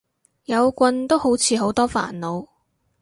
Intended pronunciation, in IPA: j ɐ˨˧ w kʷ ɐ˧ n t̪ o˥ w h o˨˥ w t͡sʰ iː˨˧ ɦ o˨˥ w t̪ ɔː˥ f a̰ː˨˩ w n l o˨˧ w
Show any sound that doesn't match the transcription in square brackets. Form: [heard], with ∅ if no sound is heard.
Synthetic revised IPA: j ɐ˨˧ w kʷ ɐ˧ n t̪ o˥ w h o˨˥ w t͡sʰ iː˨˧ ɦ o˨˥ w t̪ ɔː˥ f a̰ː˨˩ [∅] n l o˨˧ w